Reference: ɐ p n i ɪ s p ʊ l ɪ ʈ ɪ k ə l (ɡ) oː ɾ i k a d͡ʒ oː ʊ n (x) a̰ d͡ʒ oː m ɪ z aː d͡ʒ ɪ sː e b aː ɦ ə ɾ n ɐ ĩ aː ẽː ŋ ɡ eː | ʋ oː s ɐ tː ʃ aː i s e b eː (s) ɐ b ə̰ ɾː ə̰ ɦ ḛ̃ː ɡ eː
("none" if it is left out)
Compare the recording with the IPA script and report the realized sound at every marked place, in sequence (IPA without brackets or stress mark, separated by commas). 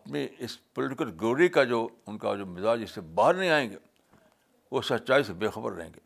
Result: ɡ, k, x